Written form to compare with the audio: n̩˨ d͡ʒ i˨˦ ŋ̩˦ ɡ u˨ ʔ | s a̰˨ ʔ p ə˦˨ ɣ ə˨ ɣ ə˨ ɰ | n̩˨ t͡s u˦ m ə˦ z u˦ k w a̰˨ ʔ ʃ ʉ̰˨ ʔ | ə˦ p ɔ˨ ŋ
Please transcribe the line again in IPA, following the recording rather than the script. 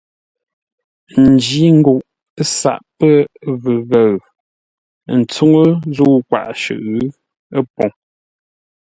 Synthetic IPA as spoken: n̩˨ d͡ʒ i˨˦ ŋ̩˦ ɡ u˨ ʔ | s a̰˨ ʔ p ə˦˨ v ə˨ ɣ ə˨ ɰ | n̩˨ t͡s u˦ ŋ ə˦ z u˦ k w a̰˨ ʔ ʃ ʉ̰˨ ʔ | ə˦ p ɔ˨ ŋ